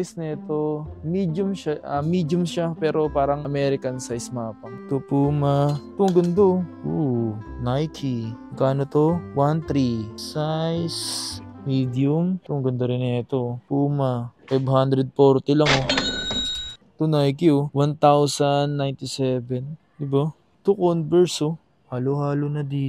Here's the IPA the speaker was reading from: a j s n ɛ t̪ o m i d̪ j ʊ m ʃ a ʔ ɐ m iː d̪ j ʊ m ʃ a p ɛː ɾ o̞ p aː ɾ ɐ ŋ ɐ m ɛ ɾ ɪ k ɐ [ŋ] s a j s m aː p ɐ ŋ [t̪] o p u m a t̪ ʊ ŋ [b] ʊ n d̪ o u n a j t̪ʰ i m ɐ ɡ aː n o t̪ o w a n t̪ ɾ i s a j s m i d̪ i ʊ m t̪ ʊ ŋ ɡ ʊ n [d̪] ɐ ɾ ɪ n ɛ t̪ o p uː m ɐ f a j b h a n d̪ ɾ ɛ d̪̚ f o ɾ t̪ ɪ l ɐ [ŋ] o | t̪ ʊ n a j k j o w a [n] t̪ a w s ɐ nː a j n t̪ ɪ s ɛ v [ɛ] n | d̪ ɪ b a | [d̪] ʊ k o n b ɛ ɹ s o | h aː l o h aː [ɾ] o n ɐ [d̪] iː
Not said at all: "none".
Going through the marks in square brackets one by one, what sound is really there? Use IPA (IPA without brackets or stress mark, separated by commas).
n, t̪, ɡ, d̪, ŋ, n, ɛ, t̪, l, d̪